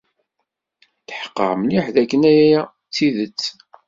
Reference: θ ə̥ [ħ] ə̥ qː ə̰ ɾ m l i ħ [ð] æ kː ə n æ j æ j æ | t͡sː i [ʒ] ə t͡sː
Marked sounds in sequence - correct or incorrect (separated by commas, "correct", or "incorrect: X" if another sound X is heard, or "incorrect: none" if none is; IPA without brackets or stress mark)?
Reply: correct, correct, incorrect: ð